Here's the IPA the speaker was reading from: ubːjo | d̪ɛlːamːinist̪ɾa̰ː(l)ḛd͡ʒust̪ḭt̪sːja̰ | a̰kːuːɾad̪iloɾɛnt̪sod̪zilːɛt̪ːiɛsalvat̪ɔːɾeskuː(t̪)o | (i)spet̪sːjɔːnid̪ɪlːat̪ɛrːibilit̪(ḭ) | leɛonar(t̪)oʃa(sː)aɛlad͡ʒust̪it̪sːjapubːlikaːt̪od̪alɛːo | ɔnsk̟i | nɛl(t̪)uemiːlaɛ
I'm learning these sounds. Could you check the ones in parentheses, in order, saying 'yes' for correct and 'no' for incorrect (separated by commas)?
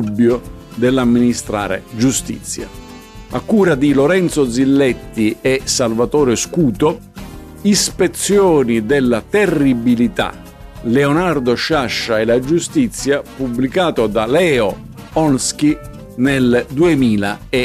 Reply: no, yes, yes, no, no, no, no